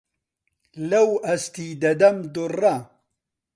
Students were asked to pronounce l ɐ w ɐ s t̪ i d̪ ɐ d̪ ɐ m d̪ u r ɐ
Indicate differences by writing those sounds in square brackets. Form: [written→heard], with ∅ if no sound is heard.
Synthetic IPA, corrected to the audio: l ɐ w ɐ s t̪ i d̪ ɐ d̪ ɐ m d̪ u r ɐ